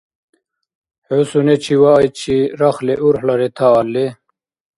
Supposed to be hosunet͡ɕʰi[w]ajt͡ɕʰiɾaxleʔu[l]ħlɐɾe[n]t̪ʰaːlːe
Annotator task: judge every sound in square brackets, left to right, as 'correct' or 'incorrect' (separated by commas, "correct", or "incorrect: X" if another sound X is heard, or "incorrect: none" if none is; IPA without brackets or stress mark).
correct, incorrect: ɾ, incorrect: none